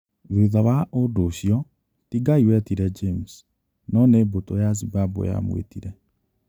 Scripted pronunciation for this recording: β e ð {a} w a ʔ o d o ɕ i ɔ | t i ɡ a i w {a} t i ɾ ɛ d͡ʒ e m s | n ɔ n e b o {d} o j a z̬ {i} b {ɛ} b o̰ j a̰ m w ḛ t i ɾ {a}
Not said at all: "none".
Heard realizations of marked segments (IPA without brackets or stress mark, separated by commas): a, ɛ, t, i, a, ɛ